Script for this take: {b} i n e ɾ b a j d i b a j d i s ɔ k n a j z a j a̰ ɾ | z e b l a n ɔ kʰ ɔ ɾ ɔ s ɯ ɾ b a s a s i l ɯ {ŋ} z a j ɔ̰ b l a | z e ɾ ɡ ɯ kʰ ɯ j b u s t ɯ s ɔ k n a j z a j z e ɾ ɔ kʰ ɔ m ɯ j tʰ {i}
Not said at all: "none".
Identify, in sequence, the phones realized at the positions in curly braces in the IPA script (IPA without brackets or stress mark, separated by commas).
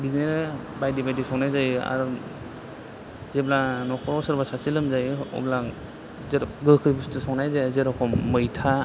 b, m, a